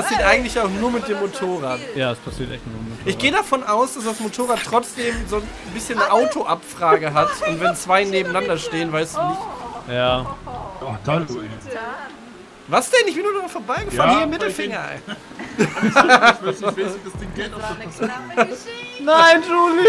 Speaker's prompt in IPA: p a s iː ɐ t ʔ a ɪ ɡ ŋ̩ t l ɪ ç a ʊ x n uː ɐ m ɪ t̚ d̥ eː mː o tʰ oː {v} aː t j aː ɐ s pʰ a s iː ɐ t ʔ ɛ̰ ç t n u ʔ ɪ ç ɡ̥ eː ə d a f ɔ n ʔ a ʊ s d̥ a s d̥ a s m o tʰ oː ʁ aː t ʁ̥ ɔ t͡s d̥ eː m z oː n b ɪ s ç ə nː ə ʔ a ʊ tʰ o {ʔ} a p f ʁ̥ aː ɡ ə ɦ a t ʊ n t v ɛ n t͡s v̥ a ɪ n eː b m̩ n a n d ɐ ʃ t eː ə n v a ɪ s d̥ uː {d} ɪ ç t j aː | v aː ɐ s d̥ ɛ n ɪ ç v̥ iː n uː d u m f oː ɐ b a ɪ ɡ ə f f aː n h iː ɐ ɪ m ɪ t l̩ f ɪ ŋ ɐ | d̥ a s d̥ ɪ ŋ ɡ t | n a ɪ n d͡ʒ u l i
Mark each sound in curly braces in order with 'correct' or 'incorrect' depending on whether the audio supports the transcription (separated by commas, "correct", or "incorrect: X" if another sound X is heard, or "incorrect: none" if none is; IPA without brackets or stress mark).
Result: incorrect: ʁ, correct, incorrect: n